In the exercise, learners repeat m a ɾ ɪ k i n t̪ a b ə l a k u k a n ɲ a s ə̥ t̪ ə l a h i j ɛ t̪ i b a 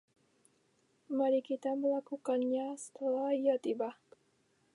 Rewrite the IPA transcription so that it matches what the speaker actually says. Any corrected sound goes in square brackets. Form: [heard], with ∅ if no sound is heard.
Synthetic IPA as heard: m a ɾ [i] k i [∅] t̪ a [m] ə l a k u k a n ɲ a s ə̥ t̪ ə l a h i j [a] t̪ i b a